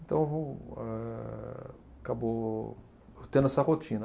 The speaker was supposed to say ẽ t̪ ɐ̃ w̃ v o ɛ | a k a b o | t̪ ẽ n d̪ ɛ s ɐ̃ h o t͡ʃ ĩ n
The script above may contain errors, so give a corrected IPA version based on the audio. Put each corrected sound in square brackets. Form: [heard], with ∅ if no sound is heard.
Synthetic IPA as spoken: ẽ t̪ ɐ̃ w̃ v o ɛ | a k a b o | t̪ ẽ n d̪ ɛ s [ɐ] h o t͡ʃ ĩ n